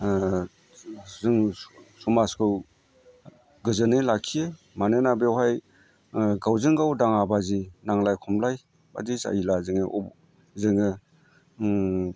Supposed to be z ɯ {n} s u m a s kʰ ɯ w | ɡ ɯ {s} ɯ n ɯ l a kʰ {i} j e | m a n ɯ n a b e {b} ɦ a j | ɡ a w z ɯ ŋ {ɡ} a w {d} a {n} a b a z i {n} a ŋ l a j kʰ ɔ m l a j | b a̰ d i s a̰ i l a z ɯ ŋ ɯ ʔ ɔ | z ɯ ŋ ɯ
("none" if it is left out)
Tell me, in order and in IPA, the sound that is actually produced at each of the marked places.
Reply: ŋ, z, i, w, ɡ, d, ŋ, n

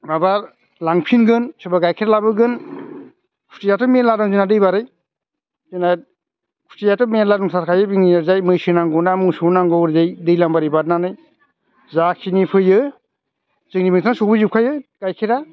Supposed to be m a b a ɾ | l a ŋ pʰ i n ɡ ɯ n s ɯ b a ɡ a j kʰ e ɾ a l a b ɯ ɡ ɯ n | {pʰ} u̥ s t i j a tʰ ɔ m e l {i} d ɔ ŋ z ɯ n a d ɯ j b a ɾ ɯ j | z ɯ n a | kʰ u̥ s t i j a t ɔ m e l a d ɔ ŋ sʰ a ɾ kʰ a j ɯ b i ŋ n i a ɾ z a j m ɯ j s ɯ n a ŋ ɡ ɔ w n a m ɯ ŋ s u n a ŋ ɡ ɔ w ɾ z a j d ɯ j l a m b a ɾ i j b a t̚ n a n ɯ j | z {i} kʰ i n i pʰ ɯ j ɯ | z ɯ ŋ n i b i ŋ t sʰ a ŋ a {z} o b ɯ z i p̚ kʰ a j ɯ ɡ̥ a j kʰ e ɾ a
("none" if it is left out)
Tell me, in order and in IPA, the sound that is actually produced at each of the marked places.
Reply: kʰ, a, a, s

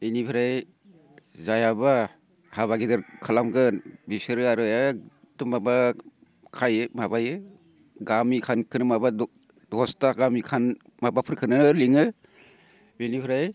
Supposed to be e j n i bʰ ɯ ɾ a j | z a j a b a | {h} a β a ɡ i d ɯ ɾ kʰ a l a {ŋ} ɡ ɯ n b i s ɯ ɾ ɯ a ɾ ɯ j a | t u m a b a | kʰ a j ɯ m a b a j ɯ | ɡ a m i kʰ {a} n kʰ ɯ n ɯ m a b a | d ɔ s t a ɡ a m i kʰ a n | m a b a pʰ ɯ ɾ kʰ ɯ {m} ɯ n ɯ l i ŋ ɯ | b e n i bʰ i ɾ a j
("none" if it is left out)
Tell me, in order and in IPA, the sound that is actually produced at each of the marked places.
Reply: h, m, a, n

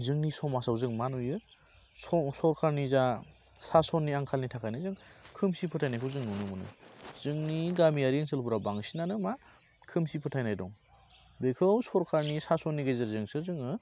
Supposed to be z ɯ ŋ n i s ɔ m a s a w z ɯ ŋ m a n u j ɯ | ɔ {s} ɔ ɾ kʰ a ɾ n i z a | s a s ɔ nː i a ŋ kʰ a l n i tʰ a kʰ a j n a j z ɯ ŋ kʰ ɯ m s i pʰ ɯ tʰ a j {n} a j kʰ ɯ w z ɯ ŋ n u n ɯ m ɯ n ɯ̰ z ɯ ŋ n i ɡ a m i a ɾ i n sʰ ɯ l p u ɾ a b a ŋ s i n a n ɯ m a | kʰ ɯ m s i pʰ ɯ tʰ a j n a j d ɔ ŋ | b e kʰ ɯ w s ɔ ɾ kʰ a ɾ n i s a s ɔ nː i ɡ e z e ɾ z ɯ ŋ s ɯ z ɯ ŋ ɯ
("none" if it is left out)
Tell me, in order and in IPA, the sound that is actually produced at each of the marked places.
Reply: s, n

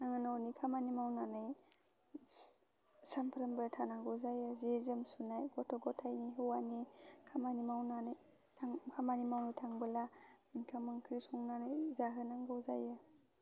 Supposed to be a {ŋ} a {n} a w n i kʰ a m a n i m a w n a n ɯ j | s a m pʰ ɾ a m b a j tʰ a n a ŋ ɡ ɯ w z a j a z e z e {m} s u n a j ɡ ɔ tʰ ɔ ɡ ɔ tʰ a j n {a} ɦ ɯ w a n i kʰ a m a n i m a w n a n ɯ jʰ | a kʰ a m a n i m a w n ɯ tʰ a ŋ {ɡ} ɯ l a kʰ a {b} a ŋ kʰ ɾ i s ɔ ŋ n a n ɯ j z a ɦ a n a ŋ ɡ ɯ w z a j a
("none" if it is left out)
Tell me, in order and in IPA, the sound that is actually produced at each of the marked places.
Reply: ŋ, n, m, i, b, m

